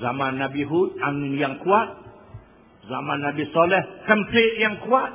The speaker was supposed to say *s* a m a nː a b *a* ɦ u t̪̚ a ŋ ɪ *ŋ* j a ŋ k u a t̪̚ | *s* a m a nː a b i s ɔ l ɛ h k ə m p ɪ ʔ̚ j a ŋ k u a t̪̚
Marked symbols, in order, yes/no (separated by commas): no, no, no, no